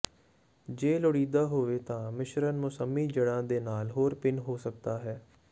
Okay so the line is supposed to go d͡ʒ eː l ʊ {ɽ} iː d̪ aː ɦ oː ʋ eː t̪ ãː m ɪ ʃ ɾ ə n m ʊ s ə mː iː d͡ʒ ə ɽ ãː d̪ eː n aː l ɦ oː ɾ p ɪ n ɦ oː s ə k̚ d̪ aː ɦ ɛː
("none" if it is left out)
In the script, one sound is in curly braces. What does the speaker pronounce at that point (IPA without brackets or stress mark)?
ɽ